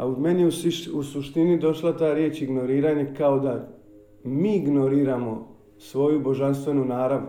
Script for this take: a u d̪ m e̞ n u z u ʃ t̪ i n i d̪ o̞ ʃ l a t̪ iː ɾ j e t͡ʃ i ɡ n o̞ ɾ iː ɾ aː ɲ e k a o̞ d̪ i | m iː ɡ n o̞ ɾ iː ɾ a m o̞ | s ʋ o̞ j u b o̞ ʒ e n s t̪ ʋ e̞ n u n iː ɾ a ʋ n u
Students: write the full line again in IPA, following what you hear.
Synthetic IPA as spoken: a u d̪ m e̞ n u s u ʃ t̪ i n i d̪ o̞ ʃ l a t̪ aː ɾ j e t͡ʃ i ɡ n o̞ ɾ iː ɾ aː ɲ e k a o̞ d̪ a | m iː ɡ n o̞ ɾ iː ɾ a m o̞ | s ʋ o̞ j u b o̞ ʒ a n s t̪ ʋ e̞ n u n aː ɾ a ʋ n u